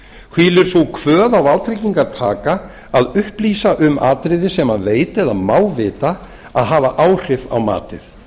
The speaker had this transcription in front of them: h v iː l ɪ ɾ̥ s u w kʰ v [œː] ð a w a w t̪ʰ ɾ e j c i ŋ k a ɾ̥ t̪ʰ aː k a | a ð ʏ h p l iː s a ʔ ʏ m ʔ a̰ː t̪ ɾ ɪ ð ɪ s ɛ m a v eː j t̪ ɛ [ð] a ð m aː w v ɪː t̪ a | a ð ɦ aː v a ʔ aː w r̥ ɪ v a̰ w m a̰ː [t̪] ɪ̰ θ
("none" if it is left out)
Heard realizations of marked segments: œː, ð, t̪

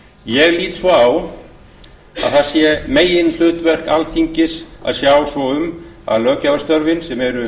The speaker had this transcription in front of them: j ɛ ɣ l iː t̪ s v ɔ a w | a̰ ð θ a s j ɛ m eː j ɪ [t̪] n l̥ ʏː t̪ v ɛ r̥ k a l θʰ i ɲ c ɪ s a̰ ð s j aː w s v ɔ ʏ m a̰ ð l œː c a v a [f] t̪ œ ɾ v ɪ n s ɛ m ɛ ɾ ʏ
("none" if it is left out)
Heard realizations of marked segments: none, s

